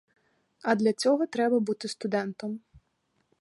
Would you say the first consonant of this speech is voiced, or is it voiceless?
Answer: voiced